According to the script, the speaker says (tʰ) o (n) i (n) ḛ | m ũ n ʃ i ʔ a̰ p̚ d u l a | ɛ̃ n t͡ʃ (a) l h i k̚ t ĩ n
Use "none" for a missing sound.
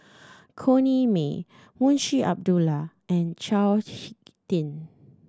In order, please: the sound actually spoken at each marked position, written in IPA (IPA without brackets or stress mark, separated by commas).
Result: kʰ, n, m, a